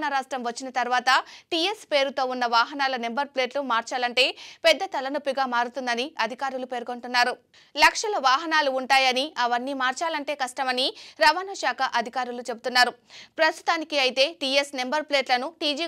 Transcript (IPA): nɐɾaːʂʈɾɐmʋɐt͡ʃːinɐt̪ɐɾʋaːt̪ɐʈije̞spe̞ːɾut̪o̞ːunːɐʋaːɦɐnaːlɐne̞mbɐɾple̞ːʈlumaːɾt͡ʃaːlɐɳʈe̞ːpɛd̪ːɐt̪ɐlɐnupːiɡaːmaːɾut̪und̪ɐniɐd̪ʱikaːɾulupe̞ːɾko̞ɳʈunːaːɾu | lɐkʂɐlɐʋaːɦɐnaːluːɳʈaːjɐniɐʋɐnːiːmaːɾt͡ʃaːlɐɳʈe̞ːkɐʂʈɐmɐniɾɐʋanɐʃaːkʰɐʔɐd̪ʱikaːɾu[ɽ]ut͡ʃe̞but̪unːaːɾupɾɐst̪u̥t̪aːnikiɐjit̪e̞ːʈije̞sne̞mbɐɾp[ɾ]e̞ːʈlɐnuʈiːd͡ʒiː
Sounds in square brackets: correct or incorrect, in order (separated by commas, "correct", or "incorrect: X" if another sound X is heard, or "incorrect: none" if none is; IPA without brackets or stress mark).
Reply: incorrect: l, incorrect: l